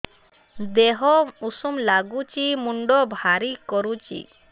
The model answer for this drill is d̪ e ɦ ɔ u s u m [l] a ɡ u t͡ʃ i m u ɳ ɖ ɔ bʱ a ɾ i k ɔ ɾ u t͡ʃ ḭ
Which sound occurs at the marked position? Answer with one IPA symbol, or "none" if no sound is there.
l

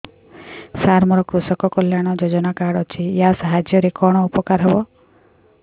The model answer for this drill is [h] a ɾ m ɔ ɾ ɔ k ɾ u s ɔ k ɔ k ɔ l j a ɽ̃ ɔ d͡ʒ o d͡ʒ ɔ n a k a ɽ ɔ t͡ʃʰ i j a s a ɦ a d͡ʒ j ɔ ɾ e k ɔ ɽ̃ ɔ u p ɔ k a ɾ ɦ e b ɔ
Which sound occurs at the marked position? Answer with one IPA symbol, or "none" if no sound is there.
s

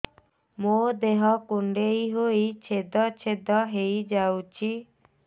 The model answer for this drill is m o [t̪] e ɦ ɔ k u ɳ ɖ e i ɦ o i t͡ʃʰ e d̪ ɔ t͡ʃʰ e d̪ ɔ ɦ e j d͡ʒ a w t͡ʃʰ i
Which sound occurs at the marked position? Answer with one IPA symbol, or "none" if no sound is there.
d̪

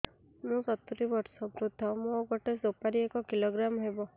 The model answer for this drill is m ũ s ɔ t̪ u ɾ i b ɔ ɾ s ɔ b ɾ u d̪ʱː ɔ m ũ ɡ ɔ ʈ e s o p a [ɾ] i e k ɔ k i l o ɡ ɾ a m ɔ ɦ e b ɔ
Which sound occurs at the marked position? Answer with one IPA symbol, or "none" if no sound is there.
ɾ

